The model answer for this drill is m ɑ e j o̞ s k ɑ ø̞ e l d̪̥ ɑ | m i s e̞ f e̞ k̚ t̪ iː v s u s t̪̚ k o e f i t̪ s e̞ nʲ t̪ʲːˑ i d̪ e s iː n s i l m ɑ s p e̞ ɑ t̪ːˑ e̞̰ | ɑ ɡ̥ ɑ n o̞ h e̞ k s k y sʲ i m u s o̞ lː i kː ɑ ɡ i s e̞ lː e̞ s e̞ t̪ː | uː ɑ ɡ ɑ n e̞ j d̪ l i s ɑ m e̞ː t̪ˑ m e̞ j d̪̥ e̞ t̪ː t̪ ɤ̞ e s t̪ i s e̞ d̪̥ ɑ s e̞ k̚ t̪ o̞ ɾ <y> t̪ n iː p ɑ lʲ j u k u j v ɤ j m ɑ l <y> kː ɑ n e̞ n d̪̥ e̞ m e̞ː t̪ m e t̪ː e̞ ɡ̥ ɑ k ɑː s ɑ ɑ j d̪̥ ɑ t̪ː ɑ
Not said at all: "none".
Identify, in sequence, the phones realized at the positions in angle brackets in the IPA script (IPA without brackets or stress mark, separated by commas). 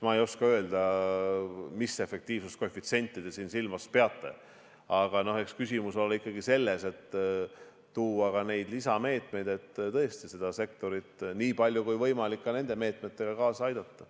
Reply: i, i